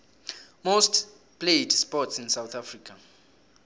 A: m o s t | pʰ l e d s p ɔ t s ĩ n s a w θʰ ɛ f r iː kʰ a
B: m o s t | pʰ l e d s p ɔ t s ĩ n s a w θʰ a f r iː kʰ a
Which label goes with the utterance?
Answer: B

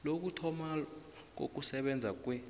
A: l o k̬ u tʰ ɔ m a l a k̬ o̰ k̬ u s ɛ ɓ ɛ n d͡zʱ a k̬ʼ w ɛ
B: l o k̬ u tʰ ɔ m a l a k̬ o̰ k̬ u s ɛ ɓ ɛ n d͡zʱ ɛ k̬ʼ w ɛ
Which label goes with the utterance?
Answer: A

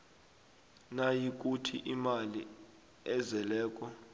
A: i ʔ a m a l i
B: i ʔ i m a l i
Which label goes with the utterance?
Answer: B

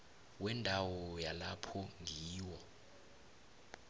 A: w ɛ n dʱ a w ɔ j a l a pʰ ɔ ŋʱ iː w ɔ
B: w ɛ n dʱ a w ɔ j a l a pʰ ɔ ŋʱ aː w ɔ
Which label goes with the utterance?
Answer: A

